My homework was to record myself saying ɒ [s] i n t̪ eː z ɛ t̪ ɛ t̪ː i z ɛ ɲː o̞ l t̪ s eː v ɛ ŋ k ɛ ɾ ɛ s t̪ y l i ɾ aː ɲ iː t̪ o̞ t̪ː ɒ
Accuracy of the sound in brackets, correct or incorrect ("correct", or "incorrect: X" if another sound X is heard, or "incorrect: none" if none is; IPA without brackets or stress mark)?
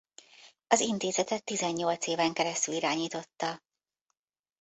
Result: incorrect: z